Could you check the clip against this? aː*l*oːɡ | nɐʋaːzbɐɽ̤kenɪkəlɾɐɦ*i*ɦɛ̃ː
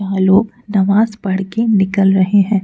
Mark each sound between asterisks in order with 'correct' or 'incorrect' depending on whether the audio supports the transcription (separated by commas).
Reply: correct, incorrect